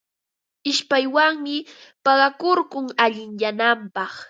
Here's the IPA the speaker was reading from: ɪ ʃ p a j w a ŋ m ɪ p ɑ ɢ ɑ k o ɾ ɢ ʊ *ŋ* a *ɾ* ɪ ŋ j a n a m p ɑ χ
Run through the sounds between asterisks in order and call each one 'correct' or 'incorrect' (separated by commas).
correct, incorrect